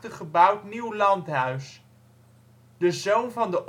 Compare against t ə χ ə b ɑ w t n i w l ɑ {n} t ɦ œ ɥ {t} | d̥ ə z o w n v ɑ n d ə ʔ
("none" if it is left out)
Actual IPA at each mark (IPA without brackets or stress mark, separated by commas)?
n, s